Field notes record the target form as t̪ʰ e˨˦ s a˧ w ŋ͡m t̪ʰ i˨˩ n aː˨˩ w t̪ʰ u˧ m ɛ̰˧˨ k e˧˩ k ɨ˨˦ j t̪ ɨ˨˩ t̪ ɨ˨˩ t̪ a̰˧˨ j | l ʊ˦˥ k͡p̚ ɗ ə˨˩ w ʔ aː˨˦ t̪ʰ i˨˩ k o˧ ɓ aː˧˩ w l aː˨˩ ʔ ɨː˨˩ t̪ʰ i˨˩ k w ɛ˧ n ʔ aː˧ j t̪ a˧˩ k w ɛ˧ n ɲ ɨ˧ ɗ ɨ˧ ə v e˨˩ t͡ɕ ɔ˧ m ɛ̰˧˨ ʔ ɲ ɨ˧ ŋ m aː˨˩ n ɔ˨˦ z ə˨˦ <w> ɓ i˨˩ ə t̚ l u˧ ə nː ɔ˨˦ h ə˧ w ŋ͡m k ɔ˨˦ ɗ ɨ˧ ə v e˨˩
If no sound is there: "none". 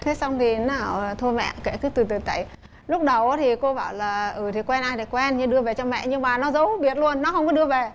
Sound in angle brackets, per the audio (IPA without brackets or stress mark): w